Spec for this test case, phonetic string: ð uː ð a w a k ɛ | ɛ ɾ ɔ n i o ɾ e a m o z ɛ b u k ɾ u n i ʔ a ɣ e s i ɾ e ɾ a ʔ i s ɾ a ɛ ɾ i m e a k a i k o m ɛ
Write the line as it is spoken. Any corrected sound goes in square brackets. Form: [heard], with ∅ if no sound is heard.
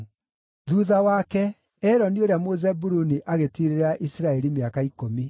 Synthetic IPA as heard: ð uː ð a w a k ɛ | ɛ ɾ ɔ n i o ɾ e a m o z ɛ b u [∅] ɾ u n i ʔ a ɣ e [t] i ɾ e ɾ a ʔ i s ɾ a ɛ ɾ i m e a k a i k o m [i]